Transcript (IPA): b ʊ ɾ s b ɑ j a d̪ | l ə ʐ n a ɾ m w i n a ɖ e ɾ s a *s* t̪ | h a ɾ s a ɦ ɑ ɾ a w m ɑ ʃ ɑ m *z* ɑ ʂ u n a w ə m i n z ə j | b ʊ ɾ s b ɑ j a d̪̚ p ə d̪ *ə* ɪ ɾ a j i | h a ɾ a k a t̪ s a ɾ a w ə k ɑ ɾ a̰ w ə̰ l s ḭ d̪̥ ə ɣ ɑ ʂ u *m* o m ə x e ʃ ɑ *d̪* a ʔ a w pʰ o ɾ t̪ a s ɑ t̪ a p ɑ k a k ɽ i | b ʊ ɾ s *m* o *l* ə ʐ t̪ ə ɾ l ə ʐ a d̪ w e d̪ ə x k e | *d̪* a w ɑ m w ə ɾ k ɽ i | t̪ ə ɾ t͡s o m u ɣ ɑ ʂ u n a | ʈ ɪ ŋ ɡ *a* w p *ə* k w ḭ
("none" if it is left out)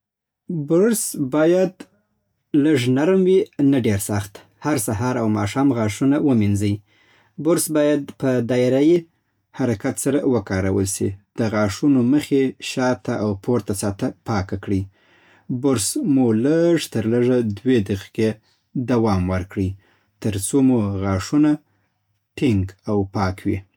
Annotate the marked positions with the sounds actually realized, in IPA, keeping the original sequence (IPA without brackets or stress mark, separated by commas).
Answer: x, ɣ, ɑ, n, t̪, m, l, d̪, a, ɑ